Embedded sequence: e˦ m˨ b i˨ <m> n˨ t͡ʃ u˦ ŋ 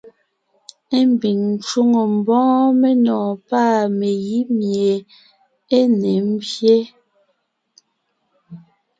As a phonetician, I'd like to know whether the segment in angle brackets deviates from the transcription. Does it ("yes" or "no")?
yes